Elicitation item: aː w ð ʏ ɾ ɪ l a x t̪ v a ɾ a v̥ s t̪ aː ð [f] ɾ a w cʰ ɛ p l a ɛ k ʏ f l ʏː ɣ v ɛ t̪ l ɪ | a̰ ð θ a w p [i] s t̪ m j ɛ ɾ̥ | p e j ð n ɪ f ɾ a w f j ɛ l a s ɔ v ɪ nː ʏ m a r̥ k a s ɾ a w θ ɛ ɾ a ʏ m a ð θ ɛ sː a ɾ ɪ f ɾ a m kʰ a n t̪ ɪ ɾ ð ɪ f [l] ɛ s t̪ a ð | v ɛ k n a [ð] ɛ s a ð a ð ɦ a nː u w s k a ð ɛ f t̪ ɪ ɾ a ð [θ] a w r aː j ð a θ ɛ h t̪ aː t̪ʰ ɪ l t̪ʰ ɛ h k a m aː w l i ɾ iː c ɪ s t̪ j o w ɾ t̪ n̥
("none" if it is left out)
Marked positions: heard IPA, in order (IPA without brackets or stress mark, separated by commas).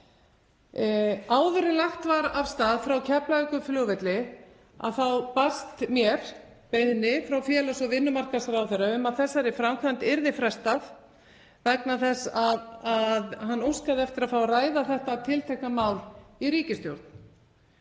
f, a, ɾ, θ, f